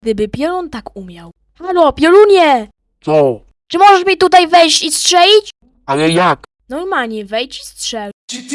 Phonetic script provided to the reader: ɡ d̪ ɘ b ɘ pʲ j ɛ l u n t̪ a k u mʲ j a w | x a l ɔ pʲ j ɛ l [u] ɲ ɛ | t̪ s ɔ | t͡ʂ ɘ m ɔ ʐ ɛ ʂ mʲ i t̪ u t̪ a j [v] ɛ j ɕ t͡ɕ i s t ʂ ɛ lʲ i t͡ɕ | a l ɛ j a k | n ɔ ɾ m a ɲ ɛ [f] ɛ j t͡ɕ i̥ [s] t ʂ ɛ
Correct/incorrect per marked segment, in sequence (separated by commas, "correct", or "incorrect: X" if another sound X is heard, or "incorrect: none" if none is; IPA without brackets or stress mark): correct, correct, incorrect: v, correct